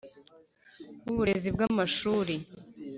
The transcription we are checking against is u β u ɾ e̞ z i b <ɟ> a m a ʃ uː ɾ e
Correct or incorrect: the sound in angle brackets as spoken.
incorrect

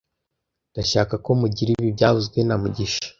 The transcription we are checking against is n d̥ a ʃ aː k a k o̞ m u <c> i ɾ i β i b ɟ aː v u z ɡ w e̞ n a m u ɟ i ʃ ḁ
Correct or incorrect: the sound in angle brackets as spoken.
incorrect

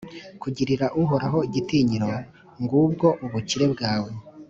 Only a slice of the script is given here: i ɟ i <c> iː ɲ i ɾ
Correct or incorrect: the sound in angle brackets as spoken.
incorrect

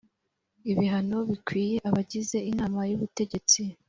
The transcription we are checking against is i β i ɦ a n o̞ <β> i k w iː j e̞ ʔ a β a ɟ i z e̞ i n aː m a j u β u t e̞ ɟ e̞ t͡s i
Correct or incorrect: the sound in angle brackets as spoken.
correct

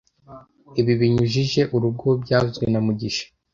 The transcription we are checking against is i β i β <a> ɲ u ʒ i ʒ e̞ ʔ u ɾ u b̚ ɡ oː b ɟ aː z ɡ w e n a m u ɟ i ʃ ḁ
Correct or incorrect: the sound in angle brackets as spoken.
incorrect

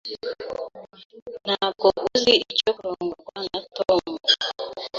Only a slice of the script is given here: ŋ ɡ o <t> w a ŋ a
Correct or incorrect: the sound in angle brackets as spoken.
incorrect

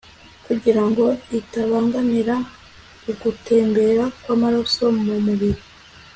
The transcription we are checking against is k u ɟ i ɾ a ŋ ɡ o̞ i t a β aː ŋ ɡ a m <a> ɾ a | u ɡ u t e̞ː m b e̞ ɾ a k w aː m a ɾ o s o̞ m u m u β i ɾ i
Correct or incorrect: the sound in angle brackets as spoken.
incorrect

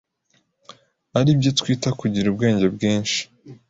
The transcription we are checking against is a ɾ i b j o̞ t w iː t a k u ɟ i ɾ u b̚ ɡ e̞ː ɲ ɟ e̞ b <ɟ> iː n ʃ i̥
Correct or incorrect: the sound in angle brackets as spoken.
incorrect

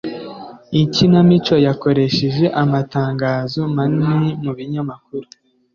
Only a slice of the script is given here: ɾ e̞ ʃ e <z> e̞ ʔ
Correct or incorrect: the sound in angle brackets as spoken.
incorrect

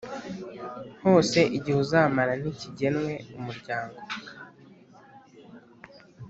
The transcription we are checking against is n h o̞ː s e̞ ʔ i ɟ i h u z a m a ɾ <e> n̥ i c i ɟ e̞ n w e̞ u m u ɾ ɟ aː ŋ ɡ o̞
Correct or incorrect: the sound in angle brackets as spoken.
incorrect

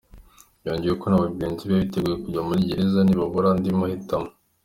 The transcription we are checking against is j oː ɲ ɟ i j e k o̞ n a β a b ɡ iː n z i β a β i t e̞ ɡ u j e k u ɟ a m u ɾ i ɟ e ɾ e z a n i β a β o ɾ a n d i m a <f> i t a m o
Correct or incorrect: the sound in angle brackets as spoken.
incorrect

